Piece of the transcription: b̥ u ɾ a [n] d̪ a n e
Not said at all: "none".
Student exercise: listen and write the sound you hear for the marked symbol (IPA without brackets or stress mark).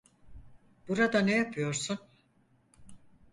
none